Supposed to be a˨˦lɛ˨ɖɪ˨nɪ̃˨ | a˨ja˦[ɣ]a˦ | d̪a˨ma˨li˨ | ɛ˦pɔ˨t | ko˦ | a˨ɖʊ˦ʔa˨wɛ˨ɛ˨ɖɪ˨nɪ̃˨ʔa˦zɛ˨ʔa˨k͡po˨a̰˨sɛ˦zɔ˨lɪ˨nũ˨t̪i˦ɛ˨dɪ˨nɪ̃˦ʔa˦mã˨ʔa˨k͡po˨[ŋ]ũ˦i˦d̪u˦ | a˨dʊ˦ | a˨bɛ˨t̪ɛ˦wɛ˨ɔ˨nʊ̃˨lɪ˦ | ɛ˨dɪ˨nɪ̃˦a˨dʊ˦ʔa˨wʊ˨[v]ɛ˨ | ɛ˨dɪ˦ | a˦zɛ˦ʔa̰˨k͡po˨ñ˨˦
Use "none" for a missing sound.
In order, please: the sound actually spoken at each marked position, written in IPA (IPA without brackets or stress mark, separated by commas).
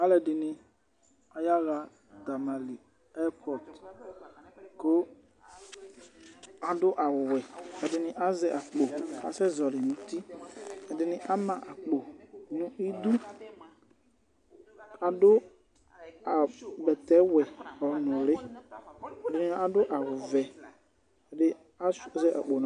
ɣ, n, v